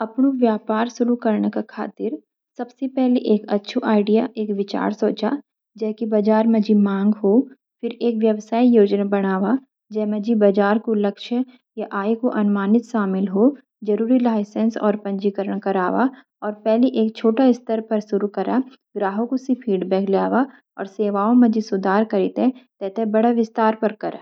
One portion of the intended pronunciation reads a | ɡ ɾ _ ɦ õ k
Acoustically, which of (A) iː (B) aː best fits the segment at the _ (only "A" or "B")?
B